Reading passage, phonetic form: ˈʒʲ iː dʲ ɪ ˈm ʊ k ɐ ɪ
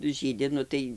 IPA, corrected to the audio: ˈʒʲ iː dʲ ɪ ˈn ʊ t ɐ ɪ